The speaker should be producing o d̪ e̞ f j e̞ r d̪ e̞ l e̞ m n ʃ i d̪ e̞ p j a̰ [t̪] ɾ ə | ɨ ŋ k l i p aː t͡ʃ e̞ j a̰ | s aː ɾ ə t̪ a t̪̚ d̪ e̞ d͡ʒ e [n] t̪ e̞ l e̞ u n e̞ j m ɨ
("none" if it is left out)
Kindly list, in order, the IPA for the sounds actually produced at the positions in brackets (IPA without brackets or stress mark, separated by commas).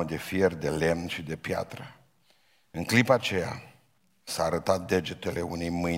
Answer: t̪, none